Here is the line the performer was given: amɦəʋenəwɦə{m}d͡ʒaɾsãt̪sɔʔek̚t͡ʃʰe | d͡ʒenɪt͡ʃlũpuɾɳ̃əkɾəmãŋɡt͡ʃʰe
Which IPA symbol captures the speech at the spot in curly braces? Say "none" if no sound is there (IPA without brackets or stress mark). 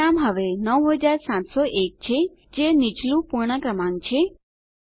none